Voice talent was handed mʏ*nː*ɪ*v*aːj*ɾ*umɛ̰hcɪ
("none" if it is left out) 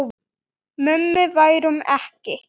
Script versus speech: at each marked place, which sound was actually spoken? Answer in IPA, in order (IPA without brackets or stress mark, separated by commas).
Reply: mː, v, ɾ